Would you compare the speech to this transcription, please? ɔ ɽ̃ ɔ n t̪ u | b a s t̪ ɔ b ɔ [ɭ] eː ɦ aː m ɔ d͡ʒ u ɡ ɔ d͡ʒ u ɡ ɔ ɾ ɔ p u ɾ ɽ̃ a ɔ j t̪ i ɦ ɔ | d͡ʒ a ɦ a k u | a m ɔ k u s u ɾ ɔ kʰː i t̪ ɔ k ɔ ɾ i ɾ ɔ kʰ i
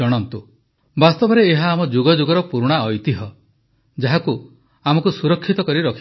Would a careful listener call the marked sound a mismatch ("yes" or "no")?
yes